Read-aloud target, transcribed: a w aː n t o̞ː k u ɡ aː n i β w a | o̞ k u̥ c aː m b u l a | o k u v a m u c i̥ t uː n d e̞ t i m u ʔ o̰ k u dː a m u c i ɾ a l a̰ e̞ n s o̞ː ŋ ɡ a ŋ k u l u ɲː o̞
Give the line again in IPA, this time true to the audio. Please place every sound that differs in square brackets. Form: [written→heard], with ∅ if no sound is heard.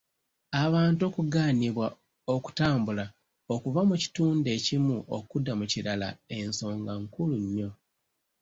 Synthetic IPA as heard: a [w→β] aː n t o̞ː k u ɡ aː n i β w a | o̞ k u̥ [c→t] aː m b u l a | o k u v a m u c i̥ t uː n d e̞ [t→c] i m u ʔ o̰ k u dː a m u c i ɾ a l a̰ e̞ n s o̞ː ŋ ɡ a ŋ k u l u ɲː o̞